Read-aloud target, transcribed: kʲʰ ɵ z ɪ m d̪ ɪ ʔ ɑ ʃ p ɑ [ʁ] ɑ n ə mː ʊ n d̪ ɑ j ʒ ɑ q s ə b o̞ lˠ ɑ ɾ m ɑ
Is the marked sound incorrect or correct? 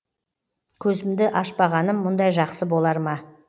correct